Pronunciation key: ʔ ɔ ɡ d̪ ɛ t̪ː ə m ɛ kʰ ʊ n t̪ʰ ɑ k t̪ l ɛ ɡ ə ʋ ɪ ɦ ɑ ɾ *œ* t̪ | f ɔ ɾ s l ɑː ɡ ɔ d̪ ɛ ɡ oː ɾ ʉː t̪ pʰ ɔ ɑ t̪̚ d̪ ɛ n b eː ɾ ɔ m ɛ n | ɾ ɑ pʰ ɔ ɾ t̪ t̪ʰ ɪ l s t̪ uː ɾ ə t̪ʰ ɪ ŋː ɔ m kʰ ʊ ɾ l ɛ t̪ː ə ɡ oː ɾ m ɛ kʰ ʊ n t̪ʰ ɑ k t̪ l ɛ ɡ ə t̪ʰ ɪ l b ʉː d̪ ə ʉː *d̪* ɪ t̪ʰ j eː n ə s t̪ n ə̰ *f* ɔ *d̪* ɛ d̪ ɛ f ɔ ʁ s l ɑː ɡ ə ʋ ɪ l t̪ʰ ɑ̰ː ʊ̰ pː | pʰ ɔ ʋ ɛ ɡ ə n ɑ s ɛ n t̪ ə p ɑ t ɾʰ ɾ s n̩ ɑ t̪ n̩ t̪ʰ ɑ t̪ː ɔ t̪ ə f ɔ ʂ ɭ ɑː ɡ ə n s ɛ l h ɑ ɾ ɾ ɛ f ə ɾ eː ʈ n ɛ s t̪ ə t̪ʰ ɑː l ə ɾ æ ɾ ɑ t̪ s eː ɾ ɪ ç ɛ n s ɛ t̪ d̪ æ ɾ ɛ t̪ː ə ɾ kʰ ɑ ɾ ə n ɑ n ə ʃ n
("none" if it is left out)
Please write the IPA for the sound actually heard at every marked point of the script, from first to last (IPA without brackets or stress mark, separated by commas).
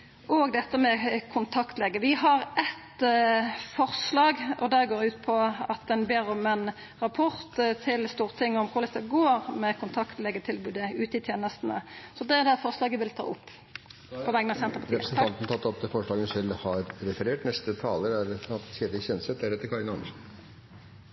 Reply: ɛ, t̪, s, d̪